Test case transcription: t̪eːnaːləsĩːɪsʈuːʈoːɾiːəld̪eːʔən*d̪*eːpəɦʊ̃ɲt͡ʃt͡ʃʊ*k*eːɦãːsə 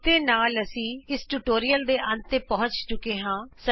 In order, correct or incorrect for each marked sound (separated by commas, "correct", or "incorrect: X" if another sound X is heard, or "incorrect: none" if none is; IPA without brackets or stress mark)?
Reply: incorrect: t̪, correct